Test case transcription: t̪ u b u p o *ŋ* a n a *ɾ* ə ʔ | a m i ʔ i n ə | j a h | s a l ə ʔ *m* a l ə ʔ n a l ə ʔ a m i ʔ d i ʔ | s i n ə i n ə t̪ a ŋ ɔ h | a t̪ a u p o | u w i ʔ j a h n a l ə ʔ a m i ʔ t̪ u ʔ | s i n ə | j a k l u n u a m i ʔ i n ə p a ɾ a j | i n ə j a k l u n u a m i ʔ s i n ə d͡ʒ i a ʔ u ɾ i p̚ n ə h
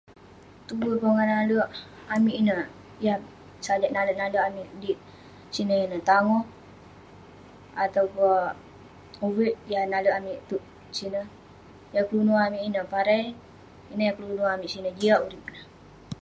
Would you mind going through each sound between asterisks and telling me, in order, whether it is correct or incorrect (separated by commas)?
correct, incorrect, incorrect